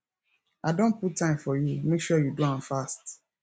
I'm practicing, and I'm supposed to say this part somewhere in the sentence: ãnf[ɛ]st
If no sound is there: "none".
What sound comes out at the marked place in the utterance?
a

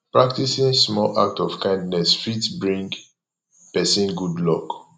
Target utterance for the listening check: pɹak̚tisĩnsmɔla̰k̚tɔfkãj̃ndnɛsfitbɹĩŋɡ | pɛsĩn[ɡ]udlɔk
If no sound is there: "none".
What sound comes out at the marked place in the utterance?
ɡ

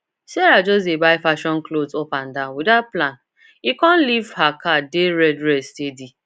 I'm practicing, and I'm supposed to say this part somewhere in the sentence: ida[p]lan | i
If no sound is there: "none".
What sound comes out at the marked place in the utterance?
p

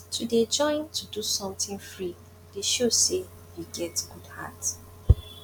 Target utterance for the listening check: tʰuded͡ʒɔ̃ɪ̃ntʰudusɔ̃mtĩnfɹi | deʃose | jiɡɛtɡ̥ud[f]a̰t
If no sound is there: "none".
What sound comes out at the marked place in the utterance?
h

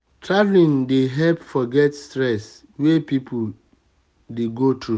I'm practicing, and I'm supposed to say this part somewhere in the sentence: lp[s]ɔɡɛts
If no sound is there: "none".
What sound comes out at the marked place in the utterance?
f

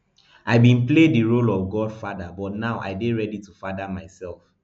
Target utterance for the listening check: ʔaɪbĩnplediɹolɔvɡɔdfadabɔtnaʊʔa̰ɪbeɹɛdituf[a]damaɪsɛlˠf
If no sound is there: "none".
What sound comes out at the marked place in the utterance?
a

